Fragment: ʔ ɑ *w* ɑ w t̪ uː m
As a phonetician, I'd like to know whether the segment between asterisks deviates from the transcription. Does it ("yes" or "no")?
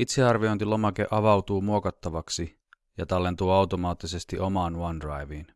yes